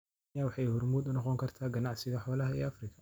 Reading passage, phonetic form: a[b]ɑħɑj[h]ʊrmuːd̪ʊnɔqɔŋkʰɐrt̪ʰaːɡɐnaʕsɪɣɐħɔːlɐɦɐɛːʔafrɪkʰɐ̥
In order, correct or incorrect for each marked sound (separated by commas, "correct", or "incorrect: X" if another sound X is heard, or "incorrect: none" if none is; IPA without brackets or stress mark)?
incorrect: w, correct